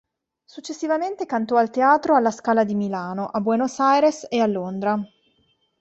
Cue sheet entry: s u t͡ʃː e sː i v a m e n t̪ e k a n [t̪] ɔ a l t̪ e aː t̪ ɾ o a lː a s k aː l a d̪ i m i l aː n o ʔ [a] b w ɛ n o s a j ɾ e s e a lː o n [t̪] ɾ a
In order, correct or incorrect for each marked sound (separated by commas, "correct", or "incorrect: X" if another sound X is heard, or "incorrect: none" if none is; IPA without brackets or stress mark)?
correct, correct, incorrect: d̪